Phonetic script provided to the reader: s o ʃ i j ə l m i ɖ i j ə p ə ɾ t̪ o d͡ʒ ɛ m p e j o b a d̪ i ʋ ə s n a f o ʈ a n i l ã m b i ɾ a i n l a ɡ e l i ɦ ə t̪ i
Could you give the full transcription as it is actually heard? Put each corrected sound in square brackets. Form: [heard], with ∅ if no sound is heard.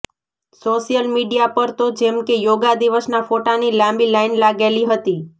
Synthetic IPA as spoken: s o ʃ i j ə l m i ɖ i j [a] p ə ɾ t̪ o d͡ʒ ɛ m [k] e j o [ɡ] a d̪ i ʋ ə s n a f o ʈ a n i l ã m b i [l] a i n l a ɡ e l i ɦ ə t̪ i